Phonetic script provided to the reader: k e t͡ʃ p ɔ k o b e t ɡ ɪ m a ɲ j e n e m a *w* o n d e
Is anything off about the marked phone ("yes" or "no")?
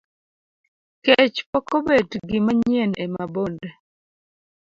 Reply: yes